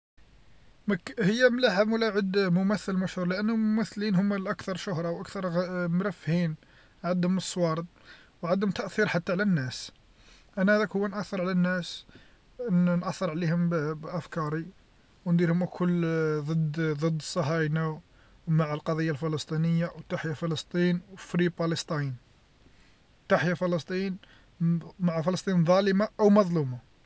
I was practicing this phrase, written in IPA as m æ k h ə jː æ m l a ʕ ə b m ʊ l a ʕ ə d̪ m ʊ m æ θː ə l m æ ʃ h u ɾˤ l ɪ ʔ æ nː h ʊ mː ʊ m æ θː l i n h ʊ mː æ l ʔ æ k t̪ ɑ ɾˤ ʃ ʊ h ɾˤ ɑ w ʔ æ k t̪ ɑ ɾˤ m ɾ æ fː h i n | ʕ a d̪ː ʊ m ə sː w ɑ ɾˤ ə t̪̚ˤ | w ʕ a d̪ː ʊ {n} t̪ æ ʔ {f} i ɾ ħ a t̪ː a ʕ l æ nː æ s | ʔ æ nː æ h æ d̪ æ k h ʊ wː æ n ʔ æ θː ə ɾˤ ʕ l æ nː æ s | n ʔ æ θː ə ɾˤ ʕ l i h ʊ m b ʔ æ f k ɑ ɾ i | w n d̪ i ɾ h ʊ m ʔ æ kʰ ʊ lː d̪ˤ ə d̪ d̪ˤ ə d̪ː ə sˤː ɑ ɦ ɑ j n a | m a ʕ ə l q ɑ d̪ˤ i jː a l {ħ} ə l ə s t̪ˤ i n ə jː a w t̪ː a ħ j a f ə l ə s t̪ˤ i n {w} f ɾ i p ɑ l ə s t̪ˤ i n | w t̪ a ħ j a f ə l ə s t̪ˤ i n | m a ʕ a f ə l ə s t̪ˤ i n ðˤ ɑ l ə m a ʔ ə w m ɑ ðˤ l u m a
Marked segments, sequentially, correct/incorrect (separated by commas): incorrect, incorrect, incorrect, correct